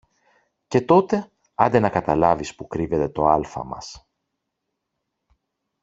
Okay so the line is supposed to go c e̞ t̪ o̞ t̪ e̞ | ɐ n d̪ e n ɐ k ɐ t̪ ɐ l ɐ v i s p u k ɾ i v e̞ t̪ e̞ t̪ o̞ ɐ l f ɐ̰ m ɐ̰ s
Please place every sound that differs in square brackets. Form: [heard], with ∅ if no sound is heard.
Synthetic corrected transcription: c e̞ t̪ o̞ t̪ e̞ | ɐ n d̪ e n ɐ k ɐ t̪ ɐ l ɐ v i s p u k ɾ i v e̞ t̪ e̞ t̪ o̞ ɐ l f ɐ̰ m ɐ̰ s